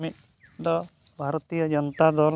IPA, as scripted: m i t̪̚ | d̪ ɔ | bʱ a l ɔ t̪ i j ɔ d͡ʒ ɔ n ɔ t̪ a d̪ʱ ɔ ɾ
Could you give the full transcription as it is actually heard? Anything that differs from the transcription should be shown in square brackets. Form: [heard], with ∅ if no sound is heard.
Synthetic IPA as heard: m i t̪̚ | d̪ ɔ | bʱ a [ɾ] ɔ t̪ i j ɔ d͡ʒ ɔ n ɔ t̪ a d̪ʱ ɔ ɾ